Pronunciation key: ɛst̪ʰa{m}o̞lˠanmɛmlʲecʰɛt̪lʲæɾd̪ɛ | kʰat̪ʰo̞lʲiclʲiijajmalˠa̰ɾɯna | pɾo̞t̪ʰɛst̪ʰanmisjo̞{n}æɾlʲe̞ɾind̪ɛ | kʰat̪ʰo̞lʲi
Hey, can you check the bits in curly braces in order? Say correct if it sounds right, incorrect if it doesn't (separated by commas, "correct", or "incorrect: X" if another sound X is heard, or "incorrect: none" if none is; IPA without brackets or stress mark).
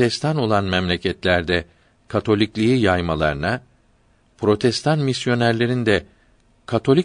incorrect: n, correct